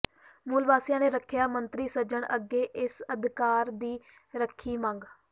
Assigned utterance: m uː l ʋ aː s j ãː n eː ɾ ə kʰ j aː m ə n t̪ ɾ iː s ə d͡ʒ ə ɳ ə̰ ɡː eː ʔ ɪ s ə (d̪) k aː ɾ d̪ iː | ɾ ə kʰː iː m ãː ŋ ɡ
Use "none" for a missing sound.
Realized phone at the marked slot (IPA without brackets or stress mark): d̪